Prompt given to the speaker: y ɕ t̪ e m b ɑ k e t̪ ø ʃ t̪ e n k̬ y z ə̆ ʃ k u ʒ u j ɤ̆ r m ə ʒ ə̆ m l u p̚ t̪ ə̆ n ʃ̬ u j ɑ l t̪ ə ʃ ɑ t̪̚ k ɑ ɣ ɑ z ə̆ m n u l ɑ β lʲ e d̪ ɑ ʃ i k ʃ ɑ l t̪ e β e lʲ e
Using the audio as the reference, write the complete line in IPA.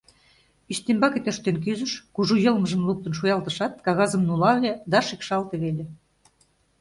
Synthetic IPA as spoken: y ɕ t̪ e m b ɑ k e t̪ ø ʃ t̪ e n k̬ y z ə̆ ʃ k u ʒ u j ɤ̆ l m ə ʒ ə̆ m l u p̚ t̪ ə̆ n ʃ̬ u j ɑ l t̪ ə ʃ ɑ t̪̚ k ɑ ɣ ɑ z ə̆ m n u l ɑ β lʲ e d̪ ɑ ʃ i k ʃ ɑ l t̪ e β e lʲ e